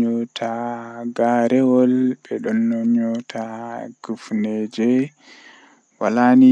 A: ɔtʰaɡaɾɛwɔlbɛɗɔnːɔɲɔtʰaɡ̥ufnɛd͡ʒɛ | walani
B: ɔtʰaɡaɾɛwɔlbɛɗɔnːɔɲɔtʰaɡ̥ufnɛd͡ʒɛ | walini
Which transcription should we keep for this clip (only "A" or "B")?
A